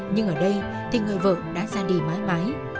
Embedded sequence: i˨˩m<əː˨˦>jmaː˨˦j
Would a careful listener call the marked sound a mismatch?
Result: yes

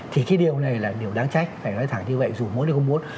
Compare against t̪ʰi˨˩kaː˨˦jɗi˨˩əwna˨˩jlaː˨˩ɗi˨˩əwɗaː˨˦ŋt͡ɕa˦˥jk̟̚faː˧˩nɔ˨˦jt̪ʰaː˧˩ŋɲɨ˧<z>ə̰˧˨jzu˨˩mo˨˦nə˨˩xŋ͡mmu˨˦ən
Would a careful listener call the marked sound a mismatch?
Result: yes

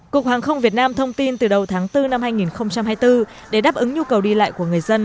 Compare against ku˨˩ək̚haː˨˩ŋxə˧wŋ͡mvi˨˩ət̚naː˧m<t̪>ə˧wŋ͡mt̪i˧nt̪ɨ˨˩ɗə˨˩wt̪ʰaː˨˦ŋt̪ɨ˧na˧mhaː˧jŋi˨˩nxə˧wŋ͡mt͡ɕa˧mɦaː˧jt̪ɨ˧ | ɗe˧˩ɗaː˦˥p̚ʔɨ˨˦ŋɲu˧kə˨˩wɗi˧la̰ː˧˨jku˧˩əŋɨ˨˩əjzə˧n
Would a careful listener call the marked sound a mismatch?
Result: yes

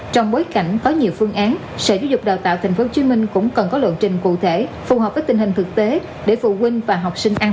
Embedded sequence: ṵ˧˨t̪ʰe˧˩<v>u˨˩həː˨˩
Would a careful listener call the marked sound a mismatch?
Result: yes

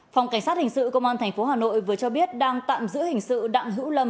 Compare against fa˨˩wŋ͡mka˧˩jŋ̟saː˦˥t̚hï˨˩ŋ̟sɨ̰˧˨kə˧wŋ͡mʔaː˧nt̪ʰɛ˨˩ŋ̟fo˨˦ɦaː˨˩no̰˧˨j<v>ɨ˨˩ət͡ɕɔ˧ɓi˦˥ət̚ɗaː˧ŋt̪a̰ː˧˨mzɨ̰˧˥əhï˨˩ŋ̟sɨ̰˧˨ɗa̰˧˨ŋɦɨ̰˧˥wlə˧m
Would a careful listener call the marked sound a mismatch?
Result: no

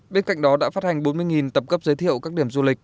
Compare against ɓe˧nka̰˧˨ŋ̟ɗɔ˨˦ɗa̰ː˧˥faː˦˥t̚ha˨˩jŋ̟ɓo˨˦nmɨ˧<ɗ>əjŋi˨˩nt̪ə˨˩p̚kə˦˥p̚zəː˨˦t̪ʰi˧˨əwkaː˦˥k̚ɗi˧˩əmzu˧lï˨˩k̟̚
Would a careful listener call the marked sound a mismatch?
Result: yes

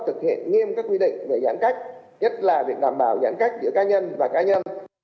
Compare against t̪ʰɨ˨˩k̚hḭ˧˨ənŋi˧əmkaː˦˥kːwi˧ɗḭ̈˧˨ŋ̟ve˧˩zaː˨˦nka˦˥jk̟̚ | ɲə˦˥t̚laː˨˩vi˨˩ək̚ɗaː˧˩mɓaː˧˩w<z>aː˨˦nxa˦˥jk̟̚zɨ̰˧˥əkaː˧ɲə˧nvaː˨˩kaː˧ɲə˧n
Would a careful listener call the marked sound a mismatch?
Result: no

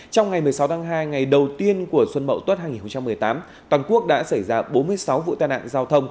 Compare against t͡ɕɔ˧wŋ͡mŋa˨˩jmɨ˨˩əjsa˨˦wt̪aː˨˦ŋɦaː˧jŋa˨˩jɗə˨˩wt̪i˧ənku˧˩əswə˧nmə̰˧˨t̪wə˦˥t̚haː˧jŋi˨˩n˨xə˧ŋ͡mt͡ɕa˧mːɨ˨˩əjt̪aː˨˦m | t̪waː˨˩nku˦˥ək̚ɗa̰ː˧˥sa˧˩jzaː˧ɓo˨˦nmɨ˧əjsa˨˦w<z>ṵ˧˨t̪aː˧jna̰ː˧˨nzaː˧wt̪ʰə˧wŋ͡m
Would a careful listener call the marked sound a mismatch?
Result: yes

